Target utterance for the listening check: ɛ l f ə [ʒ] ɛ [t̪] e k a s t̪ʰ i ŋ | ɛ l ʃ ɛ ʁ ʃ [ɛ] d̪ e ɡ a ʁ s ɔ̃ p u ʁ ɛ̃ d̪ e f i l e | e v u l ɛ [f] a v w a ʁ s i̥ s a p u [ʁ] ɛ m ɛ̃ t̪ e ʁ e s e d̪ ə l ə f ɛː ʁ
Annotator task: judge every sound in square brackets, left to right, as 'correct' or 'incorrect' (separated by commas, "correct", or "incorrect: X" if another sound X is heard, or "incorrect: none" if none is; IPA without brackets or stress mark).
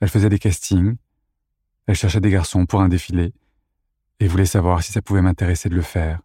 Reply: incorrect: z, incorrect: d̪, correct, incorrect: s, incorrect: v